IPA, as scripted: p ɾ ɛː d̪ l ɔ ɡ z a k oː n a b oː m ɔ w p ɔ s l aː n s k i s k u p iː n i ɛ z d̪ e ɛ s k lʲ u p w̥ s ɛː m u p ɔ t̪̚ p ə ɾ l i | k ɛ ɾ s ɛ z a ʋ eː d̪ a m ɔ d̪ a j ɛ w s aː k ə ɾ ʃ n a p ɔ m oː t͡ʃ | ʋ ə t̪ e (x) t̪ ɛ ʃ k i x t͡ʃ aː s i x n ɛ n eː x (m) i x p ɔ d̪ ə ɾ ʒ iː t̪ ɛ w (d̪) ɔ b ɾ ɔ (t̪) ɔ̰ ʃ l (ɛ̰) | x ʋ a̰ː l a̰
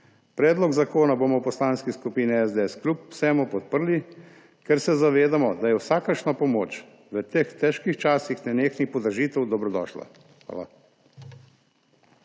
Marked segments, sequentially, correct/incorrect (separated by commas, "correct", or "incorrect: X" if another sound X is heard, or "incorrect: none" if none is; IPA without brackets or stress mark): correct, incorrect: n, correct, incorrect: d̪, incorrect: a̰